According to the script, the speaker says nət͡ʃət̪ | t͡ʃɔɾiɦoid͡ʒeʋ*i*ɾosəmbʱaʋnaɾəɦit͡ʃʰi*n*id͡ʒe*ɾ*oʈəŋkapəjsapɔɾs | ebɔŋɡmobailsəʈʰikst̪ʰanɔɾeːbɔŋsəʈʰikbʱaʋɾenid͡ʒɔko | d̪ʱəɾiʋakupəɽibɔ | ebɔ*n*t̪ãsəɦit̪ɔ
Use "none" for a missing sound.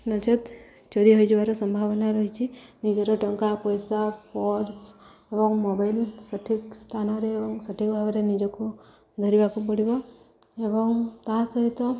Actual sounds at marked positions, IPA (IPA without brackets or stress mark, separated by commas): a, n, ɾ, ŋ